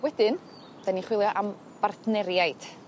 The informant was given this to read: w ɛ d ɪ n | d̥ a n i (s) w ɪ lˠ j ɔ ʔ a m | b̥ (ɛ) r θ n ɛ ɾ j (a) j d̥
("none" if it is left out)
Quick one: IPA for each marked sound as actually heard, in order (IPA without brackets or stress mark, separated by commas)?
χ, a, a